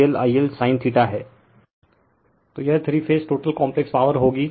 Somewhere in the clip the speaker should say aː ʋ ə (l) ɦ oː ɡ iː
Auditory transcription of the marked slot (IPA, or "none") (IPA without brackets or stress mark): ɾ